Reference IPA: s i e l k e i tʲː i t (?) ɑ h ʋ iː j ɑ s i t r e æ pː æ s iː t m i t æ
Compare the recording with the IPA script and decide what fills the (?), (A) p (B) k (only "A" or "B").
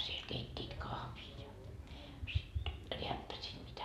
B